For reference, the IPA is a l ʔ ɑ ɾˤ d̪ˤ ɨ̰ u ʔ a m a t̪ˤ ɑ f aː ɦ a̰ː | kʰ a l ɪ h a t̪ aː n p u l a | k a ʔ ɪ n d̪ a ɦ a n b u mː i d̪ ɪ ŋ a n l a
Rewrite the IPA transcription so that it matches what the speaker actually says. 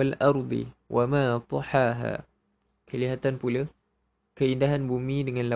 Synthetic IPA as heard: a l ʔ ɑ ɾˤ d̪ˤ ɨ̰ w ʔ a m a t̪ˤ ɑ ħ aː ɦ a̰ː | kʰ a l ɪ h a t̪ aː n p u l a | k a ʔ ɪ n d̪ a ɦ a n b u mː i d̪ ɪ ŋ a n l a